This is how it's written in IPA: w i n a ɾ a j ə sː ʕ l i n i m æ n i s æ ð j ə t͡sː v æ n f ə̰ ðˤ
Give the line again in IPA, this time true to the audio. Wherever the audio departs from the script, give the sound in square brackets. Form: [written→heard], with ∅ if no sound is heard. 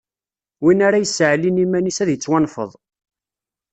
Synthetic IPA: w i n a ɾ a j ə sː ʕ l i n i m æ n i s æ ð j ə t͡sː [v→w] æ n f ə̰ ðˤ